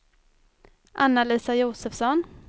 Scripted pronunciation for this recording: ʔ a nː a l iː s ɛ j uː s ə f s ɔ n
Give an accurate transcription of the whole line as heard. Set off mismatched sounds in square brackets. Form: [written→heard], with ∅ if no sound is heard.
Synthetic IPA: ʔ a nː a l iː s [ɛ→a] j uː s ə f s ɔ n